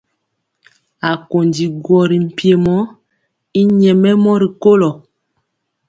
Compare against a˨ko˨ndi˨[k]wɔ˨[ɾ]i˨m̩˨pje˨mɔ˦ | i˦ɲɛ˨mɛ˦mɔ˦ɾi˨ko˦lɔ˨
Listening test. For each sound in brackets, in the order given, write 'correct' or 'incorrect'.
incorrect: ɡ, correct

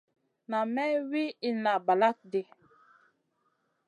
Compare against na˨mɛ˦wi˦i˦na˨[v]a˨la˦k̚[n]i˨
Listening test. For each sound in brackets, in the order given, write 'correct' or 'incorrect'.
incorrect: b, incorrect: d

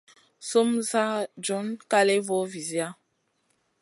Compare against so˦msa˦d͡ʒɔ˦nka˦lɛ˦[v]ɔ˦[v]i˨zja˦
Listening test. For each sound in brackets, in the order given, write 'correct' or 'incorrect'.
correct, correct

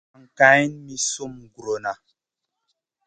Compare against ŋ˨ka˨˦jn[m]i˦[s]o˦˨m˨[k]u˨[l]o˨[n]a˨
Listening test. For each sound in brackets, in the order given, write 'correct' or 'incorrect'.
correct, correct, incorrect: ɡ, incorrect: ɾ, correct

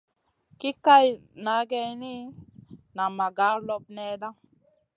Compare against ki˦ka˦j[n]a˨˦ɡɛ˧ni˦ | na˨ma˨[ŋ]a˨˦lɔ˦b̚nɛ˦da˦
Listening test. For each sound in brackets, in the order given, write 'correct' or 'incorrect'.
correct, incorrect: ɡ

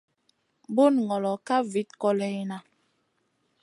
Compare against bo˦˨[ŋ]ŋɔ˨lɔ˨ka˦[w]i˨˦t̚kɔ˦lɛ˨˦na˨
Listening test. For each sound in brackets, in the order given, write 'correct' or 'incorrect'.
incorrect: n, incorrect: v

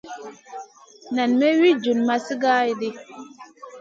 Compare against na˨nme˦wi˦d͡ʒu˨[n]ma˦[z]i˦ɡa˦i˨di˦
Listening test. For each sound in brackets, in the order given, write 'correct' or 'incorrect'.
correct, incorrect: s

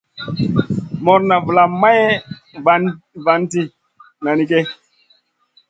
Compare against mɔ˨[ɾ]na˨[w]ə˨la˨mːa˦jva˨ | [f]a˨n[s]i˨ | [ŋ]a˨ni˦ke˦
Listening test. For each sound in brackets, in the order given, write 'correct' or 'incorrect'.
correct, incorrect: v, incorrect: v, incorrect: t, incorrect: n

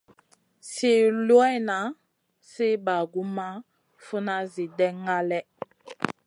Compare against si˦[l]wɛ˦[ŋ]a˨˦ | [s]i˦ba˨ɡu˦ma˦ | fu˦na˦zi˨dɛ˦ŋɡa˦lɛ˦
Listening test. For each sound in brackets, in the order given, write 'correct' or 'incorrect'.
correct, incorrect: n, correct

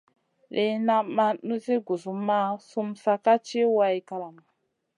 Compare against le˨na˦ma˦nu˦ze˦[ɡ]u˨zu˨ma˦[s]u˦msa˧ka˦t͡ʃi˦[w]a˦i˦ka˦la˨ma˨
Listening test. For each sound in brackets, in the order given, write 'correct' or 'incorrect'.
correct, correct, correct

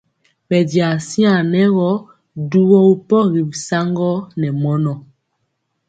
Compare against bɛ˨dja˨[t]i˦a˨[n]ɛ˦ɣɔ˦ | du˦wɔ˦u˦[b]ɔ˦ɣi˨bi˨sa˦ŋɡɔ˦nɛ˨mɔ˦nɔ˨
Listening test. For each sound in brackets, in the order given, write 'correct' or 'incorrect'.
incorrect: s, correct, incorrect: p

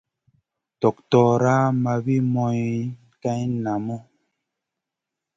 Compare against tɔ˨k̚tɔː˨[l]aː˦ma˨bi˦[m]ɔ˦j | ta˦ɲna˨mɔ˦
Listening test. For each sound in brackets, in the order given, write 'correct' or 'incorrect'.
incorrect: ɾ, correct

